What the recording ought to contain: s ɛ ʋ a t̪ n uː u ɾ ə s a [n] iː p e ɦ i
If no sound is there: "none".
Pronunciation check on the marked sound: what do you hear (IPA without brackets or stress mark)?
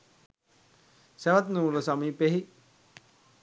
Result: m